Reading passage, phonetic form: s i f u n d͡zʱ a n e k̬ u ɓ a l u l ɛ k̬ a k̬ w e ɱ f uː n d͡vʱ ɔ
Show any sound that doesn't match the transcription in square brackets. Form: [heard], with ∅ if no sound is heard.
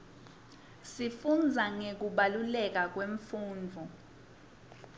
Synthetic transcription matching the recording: s i f u n d͡zʱ a [ŋ] e k̬ u ɓ a l u l ɛ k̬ a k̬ w e ɱ f uː n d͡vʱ ɔ